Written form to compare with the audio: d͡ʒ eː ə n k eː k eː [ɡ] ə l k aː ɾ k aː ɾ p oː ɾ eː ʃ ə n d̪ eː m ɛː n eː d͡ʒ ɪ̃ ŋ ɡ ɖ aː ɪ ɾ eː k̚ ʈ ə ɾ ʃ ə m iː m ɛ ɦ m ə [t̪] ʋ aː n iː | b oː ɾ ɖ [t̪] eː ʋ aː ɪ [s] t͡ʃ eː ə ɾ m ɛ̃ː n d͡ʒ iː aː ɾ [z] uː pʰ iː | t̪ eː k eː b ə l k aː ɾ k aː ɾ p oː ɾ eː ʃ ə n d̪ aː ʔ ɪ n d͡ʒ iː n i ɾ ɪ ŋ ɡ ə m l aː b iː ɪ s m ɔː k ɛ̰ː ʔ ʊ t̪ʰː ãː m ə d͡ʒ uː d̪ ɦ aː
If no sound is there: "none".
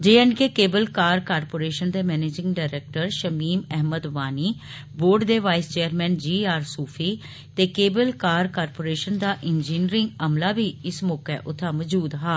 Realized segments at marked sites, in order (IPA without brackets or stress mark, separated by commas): b, d̪, d̪, s, s